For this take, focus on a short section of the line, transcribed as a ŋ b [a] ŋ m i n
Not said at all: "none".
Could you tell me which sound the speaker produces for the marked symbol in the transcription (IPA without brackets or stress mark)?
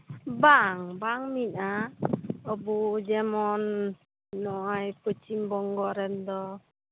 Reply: a